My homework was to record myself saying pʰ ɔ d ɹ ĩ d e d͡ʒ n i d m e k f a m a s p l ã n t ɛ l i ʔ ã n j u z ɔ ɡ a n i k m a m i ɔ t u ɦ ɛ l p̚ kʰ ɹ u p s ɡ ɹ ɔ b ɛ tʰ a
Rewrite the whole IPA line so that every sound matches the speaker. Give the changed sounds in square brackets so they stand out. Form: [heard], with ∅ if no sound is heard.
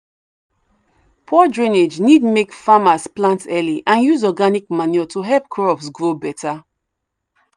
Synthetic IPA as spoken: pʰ ɔ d ɹ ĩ [n] e d͡ʒ n i d m e k f a m a s p l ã n t ɛ l i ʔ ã n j u z ɔ ɡ a n i k m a [n] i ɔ t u ɦ ɛ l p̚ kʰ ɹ [ɔ] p s ɡ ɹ [o] b ɛ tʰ a